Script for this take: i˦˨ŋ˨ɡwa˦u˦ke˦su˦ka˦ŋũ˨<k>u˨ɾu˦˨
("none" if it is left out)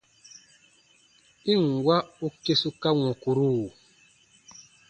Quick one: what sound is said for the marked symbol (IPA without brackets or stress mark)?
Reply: k